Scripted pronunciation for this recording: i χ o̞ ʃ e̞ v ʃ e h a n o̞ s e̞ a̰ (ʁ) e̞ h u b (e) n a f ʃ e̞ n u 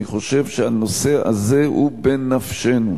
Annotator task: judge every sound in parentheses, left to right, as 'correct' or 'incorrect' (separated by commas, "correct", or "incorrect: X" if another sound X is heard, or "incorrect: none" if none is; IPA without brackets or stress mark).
incorrect: z, correct